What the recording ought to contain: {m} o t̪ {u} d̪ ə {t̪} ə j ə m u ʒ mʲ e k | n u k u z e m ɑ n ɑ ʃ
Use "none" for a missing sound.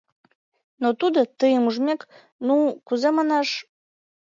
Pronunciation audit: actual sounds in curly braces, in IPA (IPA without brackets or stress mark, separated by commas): n, u, t̪